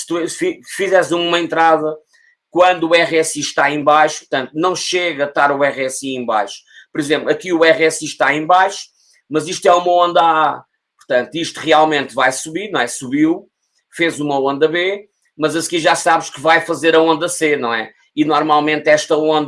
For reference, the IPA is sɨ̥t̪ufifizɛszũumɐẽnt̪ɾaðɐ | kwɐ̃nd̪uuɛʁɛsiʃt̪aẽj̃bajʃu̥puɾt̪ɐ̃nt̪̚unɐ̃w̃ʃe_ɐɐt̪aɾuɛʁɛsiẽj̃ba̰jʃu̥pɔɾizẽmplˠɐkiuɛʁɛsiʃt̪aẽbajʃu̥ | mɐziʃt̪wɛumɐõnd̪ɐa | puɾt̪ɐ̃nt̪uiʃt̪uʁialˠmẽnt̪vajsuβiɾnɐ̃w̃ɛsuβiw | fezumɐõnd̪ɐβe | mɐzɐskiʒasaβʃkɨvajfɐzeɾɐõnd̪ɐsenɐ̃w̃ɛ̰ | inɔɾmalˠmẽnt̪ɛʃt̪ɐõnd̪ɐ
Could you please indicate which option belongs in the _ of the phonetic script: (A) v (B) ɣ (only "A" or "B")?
B